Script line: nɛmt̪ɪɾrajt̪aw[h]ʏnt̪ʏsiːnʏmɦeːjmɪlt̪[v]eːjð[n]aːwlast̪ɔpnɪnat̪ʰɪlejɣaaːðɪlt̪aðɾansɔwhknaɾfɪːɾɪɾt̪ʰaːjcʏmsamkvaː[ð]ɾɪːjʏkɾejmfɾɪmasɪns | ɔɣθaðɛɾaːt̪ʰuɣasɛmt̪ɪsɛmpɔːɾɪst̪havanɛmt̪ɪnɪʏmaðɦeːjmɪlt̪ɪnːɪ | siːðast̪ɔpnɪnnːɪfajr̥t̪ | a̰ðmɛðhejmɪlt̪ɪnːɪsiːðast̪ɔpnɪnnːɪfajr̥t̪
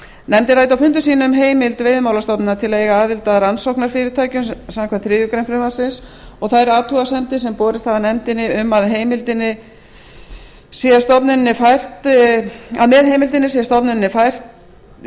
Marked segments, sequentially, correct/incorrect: incorrect, correct, incorrect, incorrect

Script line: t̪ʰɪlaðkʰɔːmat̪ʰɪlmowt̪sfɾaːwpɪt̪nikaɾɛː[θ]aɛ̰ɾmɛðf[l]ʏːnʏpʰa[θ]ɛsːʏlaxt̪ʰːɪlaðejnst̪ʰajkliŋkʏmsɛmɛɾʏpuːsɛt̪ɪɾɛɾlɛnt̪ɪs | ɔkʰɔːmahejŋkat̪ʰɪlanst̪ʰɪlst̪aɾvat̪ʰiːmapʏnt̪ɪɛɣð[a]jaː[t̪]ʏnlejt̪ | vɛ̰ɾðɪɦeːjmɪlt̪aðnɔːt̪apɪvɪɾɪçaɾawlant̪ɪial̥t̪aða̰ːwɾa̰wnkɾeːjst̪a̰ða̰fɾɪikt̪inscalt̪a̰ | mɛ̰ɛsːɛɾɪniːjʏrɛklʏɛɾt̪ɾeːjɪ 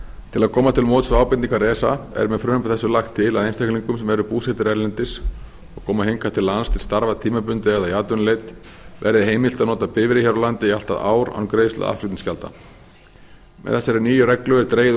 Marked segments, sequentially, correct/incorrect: incorrect, incorrect, correct, correct, correct

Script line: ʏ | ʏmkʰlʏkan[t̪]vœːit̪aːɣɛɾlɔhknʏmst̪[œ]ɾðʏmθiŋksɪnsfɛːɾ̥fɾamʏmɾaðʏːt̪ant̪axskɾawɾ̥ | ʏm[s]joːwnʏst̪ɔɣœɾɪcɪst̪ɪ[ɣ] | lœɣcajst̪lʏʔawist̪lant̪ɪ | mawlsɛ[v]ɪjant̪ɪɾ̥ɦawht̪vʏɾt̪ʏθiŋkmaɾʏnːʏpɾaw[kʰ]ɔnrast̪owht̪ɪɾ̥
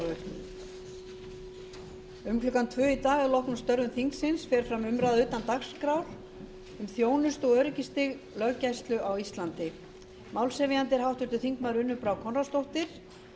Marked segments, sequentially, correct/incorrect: incorrect, correct, incorrect, correct, correct, correct

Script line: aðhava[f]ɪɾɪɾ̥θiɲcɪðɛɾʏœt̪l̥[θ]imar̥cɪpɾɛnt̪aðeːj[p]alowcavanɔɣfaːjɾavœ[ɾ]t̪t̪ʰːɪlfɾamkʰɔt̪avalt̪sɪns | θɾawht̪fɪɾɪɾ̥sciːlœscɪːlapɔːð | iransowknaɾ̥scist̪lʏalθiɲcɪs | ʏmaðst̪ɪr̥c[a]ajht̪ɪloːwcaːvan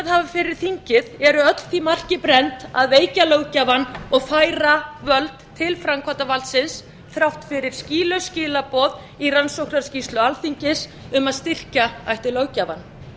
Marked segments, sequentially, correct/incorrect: correct, correct, incorrect, incorrect, correct

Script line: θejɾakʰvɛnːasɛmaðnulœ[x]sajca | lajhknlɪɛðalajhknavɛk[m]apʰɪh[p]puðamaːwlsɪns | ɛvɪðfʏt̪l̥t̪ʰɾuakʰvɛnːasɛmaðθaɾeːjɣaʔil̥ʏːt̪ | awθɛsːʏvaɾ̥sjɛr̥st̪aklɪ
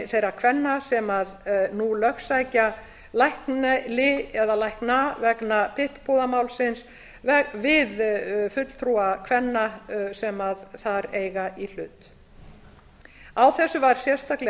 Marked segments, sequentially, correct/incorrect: correct, incorrect, correct

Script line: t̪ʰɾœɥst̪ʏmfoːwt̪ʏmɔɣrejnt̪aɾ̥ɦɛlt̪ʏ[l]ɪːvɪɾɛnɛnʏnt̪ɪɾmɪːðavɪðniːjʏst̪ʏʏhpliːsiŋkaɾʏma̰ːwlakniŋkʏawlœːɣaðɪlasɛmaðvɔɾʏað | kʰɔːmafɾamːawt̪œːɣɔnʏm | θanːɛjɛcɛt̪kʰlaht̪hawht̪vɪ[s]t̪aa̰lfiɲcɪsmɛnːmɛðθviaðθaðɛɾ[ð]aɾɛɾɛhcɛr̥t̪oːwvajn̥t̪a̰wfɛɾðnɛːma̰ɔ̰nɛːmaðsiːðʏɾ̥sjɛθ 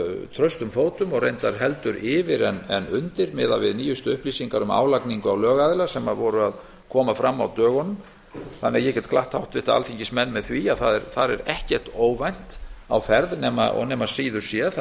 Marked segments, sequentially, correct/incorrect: incorrect, incorrect, incorrect

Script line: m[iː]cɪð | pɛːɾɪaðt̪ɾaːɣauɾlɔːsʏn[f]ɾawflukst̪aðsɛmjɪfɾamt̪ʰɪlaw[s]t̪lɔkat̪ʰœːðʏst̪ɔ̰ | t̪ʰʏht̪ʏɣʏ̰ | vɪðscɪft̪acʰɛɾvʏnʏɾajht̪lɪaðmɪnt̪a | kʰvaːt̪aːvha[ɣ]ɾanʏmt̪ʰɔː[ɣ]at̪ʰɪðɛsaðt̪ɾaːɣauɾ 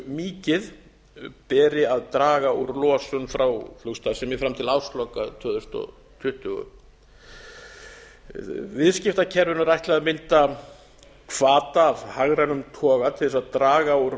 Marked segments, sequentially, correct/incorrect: correct, correct, correct, correct, correct

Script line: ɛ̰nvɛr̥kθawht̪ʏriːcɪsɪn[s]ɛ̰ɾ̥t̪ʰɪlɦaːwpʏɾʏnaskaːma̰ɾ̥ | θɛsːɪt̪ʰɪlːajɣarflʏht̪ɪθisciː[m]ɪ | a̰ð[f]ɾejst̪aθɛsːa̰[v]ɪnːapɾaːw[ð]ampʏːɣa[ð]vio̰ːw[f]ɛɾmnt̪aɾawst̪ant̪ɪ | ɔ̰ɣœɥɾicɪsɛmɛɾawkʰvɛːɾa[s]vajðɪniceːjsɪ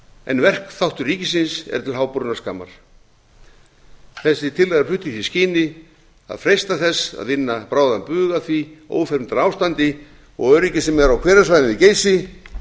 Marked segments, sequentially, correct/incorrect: correct, incorrect, correct, incorrect, correct, incorrect, correct, correct

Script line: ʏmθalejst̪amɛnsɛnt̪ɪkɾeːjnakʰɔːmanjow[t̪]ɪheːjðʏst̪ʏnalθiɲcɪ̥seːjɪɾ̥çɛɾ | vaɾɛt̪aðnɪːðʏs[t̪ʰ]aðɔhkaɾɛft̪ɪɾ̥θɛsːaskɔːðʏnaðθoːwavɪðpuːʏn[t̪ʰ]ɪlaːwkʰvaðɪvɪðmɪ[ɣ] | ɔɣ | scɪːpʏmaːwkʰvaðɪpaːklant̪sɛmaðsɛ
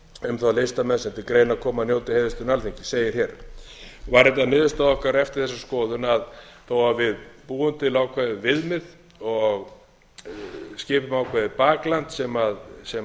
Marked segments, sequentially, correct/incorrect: correct, incorrect, incorrect, incorrect

